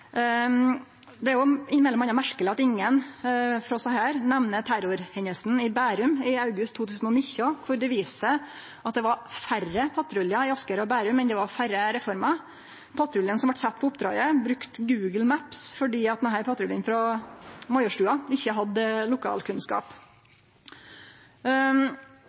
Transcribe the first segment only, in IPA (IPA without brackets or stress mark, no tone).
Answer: d̪